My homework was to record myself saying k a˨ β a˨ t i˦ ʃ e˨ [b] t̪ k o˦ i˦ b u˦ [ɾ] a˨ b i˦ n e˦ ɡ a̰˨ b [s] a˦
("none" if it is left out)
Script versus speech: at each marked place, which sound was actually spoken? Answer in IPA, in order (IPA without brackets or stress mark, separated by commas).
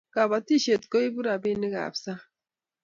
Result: none, ɾ, s